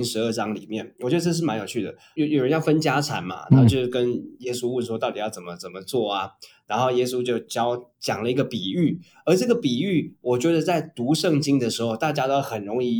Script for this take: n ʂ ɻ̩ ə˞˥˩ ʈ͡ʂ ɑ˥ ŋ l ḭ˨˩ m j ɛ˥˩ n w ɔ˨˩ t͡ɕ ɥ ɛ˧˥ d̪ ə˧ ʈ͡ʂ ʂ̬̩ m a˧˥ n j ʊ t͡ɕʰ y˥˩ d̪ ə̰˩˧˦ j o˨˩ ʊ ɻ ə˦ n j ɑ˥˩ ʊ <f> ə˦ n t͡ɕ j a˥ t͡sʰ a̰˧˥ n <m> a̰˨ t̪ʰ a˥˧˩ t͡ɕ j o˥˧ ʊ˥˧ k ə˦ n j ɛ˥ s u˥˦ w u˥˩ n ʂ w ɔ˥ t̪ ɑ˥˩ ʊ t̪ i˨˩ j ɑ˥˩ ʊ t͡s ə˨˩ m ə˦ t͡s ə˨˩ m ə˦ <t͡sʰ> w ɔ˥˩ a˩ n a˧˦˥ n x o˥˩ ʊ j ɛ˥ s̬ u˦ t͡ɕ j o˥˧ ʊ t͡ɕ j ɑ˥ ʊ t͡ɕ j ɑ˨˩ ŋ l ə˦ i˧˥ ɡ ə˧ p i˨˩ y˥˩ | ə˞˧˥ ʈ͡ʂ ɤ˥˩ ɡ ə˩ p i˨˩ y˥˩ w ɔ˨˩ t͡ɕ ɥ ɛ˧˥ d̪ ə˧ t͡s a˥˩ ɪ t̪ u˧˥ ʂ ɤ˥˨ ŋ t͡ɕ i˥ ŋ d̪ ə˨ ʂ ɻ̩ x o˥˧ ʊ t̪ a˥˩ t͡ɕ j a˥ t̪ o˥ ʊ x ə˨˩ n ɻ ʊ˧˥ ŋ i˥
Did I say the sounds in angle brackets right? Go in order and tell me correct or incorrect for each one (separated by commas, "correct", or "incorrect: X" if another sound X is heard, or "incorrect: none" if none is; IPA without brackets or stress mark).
correct, correct, incorrect: t͡s